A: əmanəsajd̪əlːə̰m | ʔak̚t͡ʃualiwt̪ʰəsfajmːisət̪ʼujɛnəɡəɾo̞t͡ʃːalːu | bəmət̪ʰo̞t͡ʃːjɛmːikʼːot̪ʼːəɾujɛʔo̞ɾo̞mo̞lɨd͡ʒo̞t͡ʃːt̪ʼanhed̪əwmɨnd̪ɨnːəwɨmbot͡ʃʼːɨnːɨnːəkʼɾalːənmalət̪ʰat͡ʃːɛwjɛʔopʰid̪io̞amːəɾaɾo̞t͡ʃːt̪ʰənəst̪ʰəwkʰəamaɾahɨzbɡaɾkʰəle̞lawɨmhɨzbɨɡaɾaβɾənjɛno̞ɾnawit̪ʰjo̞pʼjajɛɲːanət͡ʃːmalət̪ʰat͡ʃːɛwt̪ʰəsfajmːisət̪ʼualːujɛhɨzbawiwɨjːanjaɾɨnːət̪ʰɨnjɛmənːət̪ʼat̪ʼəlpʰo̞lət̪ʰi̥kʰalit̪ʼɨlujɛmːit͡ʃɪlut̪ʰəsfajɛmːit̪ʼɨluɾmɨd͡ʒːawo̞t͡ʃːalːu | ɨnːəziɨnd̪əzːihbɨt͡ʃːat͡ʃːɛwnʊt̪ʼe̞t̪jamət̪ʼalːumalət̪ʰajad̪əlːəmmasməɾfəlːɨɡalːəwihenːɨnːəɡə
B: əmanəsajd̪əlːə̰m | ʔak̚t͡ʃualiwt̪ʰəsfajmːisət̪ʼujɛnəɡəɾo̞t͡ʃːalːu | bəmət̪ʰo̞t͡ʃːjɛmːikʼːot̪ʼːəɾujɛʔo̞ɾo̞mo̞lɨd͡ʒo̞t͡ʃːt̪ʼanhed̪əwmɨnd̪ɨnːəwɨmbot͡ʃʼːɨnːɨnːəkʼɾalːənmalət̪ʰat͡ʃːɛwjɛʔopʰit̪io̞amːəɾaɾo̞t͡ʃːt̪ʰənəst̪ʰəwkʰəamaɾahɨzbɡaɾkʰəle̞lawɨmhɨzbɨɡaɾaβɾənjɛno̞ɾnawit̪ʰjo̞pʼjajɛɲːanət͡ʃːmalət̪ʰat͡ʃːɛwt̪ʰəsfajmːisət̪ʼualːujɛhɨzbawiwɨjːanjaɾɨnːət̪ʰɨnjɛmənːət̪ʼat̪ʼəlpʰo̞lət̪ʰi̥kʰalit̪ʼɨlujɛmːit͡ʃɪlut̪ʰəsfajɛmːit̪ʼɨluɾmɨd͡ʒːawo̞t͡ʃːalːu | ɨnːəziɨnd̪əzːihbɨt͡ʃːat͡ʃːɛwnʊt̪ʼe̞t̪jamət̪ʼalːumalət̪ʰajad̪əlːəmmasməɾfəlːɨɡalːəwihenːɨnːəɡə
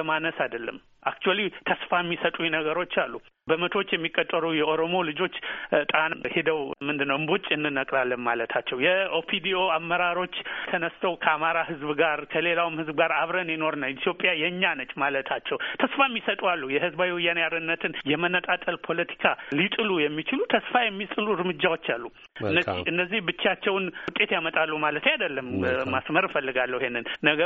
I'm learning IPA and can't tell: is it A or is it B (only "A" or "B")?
A